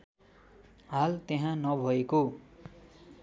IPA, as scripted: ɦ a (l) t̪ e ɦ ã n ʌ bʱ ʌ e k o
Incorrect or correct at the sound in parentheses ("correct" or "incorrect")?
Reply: correct